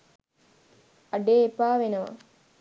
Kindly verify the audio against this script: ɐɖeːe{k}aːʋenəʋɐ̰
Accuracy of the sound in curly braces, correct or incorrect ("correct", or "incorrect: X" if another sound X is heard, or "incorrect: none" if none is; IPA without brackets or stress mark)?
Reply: incorrect: p